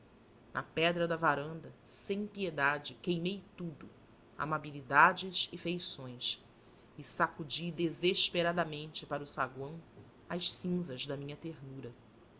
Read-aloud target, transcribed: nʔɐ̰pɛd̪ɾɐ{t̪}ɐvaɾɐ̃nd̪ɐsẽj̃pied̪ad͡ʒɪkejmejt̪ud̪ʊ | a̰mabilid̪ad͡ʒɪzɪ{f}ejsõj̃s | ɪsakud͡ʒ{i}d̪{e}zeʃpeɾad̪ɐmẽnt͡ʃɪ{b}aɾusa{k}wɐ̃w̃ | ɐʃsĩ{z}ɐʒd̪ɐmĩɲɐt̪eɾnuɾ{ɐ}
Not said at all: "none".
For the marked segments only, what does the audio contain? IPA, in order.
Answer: d̪, f, i, e, p, ɡ, z, ɐ

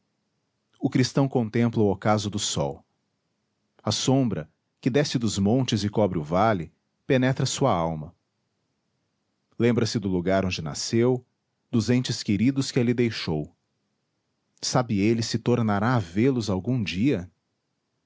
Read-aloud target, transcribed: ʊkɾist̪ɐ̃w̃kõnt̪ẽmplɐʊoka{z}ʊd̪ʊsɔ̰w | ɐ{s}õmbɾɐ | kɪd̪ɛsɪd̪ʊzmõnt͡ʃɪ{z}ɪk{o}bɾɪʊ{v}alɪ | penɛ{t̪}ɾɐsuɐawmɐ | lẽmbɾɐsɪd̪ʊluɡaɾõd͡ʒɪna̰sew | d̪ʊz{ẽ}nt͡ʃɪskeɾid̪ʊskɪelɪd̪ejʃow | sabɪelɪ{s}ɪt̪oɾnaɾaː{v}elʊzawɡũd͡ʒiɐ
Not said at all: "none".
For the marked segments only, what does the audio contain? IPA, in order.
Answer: z, s, z, ɔ, v, t̪, ẽ, s, v

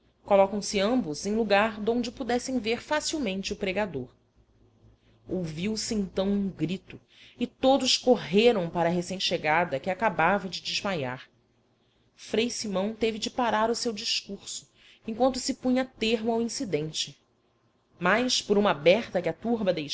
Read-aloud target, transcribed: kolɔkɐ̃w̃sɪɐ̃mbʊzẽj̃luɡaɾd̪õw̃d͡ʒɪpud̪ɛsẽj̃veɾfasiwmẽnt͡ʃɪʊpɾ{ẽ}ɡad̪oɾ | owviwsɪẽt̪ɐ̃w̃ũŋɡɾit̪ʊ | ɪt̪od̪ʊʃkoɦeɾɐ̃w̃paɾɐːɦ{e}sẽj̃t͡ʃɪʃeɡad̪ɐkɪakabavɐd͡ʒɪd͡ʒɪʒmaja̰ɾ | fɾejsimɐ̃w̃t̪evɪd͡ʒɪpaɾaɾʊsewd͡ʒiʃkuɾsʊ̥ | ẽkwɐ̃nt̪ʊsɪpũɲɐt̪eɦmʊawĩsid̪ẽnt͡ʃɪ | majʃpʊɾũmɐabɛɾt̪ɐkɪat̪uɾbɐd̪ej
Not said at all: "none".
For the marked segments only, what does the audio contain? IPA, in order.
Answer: e, e

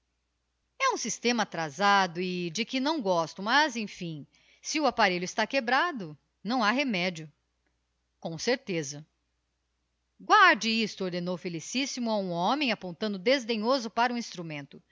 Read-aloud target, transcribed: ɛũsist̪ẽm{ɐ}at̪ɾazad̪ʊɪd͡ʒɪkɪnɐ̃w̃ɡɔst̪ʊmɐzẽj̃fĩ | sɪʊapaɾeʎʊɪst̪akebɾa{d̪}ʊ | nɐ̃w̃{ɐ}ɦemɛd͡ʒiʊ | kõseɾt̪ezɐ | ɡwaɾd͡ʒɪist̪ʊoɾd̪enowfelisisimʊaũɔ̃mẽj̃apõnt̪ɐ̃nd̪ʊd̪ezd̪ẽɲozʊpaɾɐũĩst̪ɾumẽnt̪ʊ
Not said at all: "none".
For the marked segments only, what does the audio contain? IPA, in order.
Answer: ɐ, d̪, a

